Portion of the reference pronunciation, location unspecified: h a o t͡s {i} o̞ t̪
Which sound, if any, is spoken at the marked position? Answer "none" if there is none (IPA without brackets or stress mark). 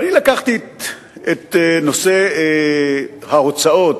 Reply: a